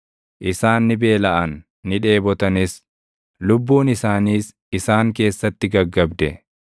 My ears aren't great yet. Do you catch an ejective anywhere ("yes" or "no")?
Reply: no